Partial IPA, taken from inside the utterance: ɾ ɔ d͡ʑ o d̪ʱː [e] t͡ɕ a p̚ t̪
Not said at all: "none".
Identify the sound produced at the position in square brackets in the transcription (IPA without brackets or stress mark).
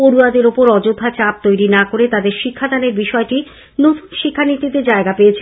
a